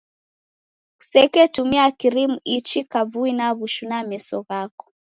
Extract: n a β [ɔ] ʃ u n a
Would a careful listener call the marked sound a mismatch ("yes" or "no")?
yes